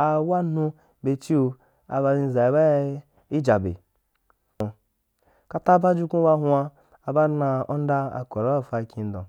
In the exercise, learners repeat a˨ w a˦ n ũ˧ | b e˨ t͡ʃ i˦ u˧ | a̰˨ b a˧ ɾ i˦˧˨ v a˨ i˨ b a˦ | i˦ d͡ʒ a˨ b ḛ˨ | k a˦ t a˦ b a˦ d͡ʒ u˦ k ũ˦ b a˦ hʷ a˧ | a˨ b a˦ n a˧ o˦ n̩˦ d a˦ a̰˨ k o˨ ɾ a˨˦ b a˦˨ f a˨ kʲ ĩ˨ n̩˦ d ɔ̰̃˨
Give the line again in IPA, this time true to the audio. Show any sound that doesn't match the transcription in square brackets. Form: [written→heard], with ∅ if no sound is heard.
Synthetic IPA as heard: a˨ w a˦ n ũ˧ | b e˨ t͡ʃ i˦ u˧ | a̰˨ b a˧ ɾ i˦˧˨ [v→z] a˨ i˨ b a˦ | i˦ d͡ʒ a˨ b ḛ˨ | k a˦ t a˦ b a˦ d͡ʒ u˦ k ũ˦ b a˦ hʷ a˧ | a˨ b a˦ n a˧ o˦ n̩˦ d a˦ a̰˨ k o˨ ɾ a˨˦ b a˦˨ f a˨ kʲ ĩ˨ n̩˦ d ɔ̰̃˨